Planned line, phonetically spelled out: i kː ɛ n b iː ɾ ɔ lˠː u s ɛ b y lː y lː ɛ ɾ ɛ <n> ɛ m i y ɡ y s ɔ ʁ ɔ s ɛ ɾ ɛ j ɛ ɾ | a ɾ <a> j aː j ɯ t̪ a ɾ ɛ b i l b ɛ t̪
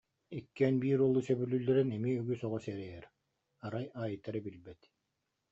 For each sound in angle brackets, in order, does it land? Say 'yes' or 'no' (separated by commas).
yes, yes